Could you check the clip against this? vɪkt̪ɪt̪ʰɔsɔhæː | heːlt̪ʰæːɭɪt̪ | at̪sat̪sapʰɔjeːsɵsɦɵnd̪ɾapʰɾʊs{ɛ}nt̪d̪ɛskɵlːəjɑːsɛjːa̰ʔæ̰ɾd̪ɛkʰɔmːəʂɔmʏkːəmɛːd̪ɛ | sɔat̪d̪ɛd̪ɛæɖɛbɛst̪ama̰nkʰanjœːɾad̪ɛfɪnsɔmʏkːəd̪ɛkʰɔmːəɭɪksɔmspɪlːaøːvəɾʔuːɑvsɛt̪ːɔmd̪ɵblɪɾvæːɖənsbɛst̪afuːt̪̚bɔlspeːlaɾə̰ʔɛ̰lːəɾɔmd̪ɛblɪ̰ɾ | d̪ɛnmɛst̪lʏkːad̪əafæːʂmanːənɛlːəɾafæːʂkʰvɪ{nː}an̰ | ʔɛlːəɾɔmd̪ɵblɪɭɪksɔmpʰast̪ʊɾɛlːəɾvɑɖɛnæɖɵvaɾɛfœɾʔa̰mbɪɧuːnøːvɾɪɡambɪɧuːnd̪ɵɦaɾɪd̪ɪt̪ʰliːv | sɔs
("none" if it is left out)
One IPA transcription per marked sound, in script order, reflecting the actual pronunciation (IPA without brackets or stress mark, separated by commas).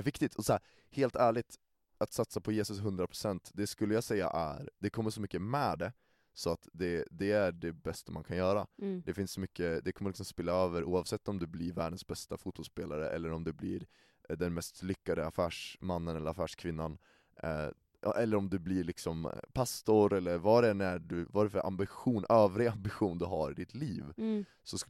ɛ, nː